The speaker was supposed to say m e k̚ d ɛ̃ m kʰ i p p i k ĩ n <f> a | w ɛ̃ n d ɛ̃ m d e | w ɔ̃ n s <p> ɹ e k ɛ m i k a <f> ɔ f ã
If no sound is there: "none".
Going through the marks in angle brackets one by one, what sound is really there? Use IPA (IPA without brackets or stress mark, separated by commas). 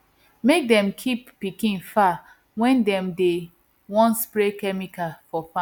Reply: f, p, f